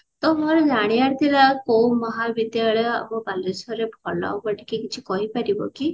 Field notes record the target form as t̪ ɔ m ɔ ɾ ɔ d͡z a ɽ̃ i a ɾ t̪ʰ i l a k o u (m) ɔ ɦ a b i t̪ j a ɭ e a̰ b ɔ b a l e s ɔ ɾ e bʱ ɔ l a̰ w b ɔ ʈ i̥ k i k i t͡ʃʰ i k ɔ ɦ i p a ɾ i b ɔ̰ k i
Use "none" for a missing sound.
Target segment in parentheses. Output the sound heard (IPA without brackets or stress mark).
m